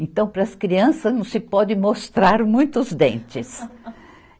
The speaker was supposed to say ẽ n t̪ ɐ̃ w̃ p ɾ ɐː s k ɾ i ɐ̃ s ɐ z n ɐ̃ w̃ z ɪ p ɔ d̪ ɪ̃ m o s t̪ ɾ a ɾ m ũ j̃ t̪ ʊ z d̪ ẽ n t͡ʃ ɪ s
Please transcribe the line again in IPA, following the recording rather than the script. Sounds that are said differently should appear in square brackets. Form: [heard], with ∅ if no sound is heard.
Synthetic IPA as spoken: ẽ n t̪ ɐ̃ w̃ p ɾ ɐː s k ɾ i ɐ̃ s ɐ z n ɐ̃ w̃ [s] ɪ p ɔ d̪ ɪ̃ m o s t̪ ɾ a ɾ m ũ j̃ t̪ ʊ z d̪ ẽ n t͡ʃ ɪ s